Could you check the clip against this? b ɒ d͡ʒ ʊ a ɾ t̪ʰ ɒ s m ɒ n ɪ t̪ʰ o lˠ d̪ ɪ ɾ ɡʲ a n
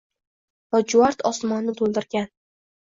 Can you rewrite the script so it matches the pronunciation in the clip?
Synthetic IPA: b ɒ d͡ʒ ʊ a ɾ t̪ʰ ɒ s m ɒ nː ɪ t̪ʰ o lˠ d̪ ɪ ɾ ɡʲ a n

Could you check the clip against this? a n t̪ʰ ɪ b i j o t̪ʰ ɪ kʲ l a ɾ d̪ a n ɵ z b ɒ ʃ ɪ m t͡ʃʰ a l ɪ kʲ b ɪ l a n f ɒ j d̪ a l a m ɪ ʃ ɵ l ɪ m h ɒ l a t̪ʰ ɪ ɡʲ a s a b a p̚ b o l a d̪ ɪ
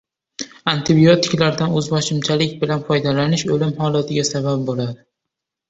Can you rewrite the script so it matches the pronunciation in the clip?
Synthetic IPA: a n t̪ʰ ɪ b i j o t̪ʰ ɪ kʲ l a ɾ d̪ a n ɵ z b ɒ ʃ ɪ m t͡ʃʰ a l ɪ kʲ b ɪ l a n f ɒ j d̪ a l a n ɪ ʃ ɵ l ɪ m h ɒ l a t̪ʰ ɪ ɡʲ a s a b a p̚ b o l a d̪ ɪ

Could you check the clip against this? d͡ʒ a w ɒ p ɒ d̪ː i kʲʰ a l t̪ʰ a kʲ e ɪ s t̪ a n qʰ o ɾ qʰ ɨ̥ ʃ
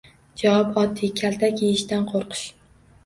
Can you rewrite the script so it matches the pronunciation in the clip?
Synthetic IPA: d͡ʒ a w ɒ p ɒ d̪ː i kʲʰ a l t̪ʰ a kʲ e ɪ ʃ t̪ a n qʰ o ɾ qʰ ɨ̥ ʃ

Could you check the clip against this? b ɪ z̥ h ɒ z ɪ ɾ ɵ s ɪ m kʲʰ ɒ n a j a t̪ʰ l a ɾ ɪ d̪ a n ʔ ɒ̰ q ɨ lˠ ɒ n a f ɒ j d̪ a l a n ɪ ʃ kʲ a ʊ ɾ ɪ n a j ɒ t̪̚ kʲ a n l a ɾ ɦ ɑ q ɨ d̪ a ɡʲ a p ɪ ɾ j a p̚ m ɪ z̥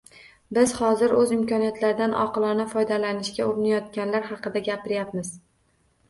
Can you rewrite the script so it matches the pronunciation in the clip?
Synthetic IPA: b ɪ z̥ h ɒ z ɪ ɾ ɵ z ɪ m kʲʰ ɒ n i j a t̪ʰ l a ɾ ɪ d̪ a n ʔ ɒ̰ q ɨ lˠ ɒ n a f ɒ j d̪ a l a n ɪ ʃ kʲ a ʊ ɾ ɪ n a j ɒ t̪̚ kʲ a n l a ɾ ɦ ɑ q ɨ d̪ a ɡʲ a p ɪ ɾ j a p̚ m ɪ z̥

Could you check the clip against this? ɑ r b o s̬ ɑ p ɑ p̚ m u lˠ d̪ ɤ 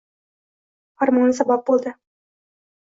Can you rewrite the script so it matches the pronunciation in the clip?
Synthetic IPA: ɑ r m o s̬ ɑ b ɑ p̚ b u lˠ d̪ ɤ

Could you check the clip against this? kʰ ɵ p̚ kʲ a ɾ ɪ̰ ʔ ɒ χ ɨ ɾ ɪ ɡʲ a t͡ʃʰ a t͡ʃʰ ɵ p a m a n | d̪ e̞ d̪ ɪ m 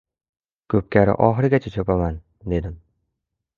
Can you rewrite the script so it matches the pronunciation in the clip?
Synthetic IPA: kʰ ɵ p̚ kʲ a ɾ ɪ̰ ʔ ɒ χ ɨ ɾ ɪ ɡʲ a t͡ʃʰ a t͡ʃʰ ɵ p a m a n | d̪ e̞ d̪ ɪ m

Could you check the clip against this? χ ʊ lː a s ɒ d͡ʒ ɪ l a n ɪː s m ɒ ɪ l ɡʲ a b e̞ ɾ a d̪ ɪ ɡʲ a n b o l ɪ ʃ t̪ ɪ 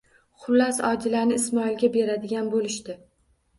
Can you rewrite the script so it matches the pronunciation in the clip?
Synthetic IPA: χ ʊ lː a s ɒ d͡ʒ ɪ l a n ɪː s m ɒ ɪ l ɡʲ a b e̞ ɾ a d̪ ɪ ɡʲ a n b o l ɪ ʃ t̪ ɪ

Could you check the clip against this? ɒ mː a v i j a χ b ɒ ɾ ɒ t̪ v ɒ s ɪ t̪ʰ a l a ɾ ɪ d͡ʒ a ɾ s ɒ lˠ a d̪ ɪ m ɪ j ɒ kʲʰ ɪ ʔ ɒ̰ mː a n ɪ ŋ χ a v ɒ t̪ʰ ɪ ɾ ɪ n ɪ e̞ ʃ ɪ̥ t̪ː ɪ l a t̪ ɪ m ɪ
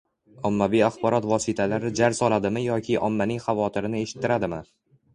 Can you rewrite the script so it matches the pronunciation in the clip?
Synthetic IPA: ɒ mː a v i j a χ b ɒ ɾ ɒ t̪ v ɒ s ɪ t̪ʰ a l a ɾ ɪ d͡ʒ a ɾ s ɒ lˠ a d̪ ɪ m ɪ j ɒ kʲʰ ɪ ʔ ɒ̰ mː a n ɪ ŋ χ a v ɒ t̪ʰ ɪ ɾ ɪ n ɪ e̞ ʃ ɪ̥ t̪ː ɪ ɾ a d̪ ɪ m ɪ

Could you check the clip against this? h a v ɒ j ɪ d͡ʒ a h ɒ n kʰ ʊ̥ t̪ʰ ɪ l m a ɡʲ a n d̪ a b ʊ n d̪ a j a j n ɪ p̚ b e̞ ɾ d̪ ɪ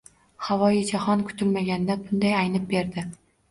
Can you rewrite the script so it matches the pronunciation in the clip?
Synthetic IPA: h a v ɒ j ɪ d͡ʒ a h ɒ n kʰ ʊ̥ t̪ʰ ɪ l m a ɡʲ a n d̪ a b ʊ n d̪ a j a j n ɪ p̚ b e̞ ɾ d̪ ɪ

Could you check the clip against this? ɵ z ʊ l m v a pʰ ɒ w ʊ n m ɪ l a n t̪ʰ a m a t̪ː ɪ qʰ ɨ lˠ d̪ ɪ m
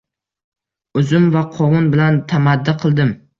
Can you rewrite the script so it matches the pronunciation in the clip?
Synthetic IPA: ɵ z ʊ m v a qʰ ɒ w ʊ n b ɪ l a n t̪ʰ a m a d̪ː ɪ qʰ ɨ lˠ d̪ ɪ m

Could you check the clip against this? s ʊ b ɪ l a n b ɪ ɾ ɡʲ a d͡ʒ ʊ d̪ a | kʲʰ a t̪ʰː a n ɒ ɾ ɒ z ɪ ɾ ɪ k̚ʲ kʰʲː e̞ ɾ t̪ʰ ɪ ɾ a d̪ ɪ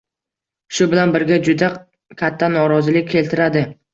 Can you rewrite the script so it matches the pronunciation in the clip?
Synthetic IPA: ʃ ʊ b ɪ l a n b ɪ ɾ ɡʲ a d͡ʒ ʊ d̪ a | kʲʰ a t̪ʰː a n ɒ ɾ ɒ z ɪ l ɪ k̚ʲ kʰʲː e̞ l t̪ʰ ɪ ɾ a d̪ ɪ

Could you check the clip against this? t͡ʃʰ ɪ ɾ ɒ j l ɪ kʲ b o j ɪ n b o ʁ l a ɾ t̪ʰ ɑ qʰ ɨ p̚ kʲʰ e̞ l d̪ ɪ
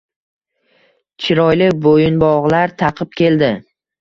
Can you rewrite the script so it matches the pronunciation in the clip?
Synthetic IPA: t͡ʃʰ ɪ ɾ ɒ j l ɪ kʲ b o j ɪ n b ɒ ʁ l a ɾ t̪ʰ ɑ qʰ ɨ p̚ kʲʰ e̞ l d̪ ɪ

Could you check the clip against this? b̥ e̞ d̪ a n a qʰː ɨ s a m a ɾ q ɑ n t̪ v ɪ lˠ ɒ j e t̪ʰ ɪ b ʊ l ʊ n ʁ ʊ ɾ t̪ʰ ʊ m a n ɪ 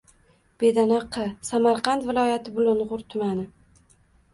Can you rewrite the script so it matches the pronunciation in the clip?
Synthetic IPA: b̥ e̞ d̪ a n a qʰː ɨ s a m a ɾ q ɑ n t̪ v ɪ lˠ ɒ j a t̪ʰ ɪ b ʊ l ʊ n ʁ ʊ ɾ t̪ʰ ʊ m a n ɪ

